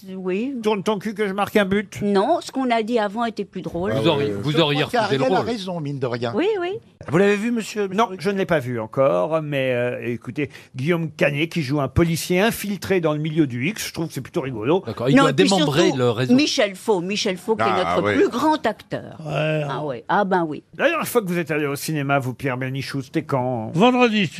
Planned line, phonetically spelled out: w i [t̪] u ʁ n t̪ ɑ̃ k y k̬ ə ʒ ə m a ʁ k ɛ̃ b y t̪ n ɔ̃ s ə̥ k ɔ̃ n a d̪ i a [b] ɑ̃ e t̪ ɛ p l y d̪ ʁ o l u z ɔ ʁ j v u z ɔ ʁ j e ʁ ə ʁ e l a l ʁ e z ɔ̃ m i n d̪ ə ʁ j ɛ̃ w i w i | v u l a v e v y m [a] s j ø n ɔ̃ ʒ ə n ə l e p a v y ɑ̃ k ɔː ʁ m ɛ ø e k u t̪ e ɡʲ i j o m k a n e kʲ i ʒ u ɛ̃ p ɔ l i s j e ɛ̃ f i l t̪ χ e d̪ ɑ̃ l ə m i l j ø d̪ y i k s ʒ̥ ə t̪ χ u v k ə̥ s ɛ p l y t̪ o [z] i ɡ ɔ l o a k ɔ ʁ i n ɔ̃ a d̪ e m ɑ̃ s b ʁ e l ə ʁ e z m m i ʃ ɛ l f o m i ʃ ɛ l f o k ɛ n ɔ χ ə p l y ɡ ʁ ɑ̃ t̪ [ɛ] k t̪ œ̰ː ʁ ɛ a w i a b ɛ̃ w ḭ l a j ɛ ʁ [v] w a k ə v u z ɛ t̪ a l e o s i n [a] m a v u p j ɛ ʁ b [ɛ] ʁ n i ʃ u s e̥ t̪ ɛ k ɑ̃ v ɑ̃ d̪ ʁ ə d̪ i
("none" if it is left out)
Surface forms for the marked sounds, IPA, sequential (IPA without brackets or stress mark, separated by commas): t̪, v, ə, ʁ, a, f, e, ɛ